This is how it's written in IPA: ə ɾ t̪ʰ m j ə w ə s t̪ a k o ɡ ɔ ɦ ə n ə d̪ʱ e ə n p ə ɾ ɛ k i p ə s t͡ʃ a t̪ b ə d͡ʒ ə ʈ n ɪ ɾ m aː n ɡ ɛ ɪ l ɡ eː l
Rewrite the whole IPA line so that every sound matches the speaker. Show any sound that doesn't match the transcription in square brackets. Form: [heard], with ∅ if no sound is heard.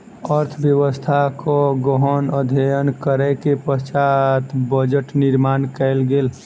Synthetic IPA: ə ɾ t̪ʰ [b] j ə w ə s [t̪ʰ] a k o ɡ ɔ ɦ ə n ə d̪ʱ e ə n [k] ə ɾ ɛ k [e] p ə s t͡ʃ a t̪ b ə d͡ʒ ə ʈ n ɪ ɾ m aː n [k] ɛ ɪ l ɡ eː l